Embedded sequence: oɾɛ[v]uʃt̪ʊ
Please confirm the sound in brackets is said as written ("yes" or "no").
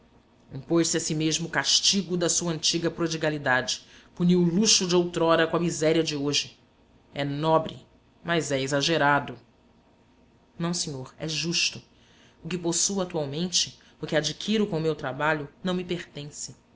no